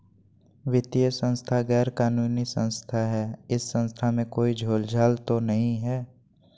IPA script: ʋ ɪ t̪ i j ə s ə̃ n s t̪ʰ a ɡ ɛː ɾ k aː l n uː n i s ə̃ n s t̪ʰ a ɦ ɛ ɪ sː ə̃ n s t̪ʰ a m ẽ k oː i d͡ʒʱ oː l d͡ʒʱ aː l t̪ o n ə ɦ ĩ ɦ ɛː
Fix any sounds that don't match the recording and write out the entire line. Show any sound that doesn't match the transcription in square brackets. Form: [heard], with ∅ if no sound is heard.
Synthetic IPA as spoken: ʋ ɪ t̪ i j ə s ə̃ n s t̪ʰ a ɡ ɛː ɾ k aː [∅] n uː n i s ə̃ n s t̪ʰ a ɦ ɛ ɪ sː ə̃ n s t̪ʰ a m ẽ k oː i d͡ʒʱ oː l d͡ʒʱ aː l t̪ o n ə ɦ ĩ ɦ ɛː